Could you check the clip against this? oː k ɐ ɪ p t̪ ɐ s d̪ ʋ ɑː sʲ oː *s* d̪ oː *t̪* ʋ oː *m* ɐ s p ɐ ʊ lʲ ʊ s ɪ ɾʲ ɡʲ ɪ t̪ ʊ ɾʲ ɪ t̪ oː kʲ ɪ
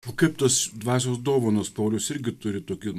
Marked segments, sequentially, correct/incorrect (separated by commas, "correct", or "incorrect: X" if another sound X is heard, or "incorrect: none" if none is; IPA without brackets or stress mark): correct, incorrect: none, incorrect: n